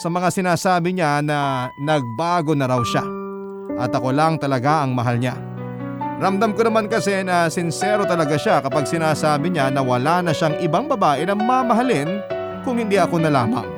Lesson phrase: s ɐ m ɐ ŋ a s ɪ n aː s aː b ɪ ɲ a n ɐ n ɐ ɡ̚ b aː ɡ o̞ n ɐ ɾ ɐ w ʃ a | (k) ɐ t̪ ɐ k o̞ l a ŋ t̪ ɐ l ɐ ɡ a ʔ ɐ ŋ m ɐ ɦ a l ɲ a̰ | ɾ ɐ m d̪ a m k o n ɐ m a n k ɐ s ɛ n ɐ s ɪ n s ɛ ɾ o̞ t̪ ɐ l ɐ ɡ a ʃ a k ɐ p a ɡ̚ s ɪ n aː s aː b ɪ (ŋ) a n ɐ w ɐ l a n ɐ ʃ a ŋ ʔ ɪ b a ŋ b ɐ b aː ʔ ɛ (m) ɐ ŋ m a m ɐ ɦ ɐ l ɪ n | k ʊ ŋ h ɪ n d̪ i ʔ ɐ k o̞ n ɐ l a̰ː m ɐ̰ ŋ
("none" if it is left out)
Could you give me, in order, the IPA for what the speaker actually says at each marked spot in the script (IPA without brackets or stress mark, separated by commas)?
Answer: ʔ, ɲ, n